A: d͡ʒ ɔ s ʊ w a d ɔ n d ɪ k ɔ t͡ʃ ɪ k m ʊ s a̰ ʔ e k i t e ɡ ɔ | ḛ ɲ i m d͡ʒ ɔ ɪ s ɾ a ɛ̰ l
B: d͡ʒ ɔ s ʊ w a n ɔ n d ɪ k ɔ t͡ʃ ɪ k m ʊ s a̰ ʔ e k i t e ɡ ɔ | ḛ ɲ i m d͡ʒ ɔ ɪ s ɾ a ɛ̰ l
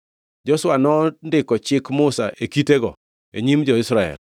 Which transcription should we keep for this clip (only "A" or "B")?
B